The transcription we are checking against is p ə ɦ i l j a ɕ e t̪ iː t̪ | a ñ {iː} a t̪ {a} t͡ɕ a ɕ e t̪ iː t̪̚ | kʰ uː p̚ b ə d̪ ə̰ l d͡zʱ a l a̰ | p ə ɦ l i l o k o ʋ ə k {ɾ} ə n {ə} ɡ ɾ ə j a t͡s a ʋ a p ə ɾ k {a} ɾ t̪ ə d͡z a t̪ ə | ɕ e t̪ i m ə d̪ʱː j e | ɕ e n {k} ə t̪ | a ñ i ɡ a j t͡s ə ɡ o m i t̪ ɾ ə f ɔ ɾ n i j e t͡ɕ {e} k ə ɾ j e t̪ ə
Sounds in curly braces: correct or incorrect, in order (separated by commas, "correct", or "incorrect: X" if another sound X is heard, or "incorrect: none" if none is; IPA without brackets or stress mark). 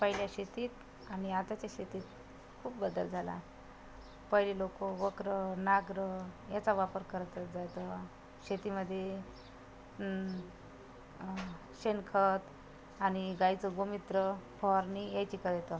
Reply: incorrect: i, correct, correct, incorrect: a, incorrect: ə, incorrect: kʰ, incorrect: i